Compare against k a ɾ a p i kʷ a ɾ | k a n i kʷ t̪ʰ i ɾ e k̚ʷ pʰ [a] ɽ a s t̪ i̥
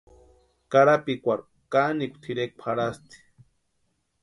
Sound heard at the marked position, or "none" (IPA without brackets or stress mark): a